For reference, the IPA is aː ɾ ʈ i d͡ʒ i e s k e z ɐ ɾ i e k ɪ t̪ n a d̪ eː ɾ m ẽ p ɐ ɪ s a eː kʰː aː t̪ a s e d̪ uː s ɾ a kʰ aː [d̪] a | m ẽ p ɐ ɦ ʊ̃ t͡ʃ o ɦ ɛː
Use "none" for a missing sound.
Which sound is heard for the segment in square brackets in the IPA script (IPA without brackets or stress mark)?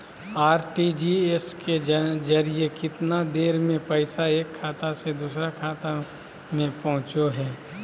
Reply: t̪